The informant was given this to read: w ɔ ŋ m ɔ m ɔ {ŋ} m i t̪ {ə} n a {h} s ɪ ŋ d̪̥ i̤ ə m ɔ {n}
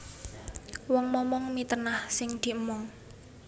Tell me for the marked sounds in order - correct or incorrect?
correct, correct, correct, incorrect

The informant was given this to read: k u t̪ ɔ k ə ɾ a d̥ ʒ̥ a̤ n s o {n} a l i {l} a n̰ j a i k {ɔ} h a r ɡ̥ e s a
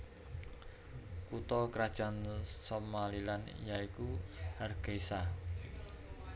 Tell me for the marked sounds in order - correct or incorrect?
incorrect, correct, incorrect

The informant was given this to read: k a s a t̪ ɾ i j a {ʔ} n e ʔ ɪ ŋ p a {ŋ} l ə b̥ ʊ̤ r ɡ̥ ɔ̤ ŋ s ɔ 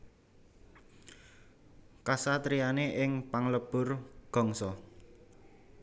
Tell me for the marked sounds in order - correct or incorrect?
incorrect, correct

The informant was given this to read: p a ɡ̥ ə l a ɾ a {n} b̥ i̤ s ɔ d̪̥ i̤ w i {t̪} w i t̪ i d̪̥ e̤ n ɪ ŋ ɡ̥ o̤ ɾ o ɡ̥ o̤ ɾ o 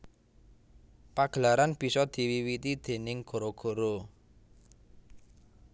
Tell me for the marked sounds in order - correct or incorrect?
correct, incorrect

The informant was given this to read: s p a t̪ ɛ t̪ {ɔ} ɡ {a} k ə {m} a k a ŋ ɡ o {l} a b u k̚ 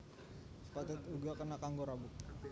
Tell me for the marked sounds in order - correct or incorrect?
incorrect, correct, incorrect, incorrect

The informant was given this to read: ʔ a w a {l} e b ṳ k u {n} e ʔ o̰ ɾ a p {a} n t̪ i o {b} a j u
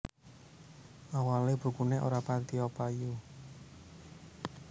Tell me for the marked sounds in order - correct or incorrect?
correct, correct, correct, incorrect

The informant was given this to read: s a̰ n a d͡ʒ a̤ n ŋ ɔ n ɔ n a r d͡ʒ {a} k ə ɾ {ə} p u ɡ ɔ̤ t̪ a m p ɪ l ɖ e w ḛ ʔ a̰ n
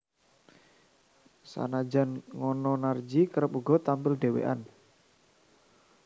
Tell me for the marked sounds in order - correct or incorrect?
incorrect, correct

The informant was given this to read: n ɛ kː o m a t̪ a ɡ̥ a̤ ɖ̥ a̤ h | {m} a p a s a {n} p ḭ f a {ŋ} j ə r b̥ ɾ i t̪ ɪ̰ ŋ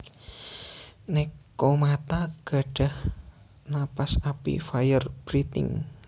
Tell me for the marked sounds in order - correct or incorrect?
incorrect, incorrect, incorrect

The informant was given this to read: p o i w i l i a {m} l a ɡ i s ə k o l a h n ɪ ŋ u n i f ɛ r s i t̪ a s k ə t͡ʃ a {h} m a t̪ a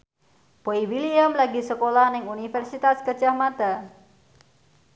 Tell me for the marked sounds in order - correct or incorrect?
correct, correct

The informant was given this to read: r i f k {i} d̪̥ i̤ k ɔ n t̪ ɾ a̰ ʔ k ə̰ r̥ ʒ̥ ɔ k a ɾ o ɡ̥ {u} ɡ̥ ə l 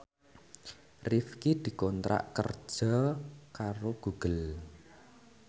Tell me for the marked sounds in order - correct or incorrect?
correct, correct

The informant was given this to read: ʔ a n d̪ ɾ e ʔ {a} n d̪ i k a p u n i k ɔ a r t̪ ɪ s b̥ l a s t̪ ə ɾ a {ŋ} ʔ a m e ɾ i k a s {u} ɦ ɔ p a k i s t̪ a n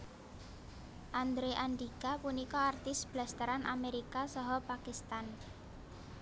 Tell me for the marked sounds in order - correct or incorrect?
correct, incorrect, incorrect

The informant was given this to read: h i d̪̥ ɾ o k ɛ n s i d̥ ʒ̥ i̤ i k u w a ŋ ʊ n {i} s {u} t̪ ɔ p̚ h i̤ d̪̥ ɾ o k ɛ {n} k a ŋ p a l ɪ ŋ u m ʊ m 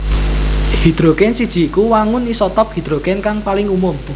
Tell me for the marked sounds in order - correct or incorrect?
correct, incorrect, correct

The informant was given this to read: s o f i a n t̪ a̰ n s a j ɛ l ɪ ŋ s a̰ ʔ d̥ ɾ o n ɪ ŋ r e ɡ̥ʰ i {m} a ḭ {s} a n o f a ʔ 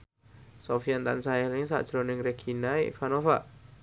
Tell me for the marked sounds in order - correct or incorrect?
incorrect, incorrect

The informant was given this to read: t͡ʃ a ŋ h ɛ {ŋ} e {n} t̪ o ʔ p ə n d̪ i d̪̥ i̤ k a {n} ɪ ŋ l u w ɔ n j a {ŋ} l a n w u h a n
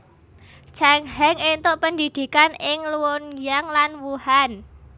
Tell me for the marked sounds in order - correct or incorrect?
correct, correct, correct, correct

